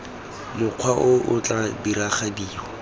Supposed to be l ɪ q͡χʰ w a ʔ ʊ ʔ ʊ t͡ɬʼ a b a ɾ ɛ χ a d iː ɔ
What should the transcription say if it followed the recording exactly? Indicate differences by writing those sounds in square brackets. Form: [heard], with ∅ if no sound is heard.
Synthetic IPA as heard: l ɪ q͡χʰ w a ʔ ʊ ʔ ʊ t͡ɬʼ a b [i] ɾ [a] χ a d iː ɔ